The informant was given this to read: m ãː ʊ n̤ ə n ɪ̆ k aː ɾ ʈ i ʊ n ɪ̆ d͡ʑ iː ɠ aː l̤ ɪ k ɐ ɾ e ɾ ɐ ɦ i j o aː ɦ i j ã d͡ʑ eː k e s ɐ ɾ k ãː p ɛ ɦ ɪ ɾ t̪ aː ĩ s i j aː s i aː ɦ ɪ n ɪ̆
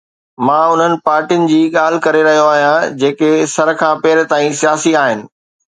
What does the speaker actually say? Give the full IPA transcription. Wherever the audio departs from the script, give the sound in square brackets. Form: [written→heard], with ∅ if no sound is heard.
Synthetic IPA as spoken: m ãː ʊ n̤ ə n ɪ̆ [k→p] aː ɾ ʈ i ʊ n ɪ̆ d͡ʑ iː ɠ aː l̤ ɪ k ɐ ɾ e ɾ ɐ ɦ i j o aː ɦ i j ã d͡ʑ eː k e s ɐ ɾ [k→kʰ] ãː p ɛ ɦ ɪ ɾ t̪ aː ĩ s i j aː s i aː ɦ ɪ n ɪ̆